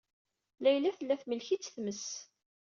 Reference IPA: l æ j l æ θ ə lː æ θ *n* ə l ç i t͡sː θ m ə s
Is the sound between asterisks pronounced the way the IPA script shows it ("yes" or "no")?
no